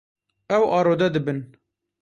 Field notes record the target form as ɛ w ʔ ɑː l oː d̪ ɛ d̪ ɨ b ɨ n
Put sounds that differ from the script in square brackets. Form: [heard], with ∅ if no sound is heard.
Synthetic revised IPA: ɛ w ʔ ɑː [ɾ] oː d̪ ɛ d̪ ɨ b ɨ n